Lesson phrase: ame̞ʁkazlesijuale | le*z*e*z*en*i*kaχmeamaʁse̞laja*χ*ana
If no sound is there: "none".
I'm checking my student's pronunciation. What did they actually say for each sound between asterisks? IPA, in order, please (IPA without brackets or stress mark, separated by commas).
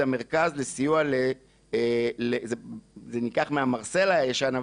z, z, i, ʃ